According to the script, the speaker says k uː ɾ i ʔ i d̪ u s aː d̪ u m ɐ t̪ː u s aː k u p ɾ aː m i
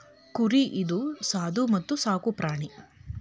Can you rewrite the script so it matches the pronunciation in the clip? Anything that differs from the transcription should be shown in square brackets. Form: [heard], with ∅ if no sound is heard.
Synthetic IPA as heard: k [u] ɾ i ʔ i d̪ u s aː d̪ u m ɐ t̪ː u s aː k u p ɾ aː [ɳ] i